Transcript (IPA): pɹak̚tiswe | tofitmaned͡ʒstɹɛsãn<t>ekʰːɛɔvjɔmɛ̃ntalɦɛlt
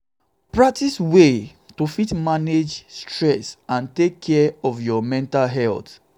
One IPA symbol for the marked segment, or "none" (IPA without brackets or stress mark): t